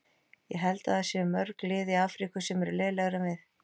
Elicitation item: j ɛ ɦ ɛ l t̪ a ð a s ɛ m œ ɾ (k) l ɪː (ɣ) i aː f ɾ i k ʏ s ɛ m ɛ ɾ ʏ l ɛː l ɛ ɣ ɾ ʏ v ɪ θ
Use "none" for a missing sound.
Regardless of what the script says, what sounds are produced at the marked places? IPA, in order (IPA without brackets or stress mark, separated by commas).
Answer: k, ð